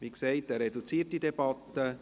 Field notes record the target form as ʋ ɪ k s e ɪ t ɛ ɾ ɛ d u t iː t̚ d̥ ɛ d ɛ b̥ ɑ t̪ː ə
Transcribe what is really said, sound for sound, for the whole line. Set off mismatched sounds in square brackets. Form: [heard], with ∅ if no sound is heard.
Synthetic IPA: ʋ [i] k s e ɪ t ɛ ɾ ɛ d u [t͡s] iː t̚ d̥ [i] d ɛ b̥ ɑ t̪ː ə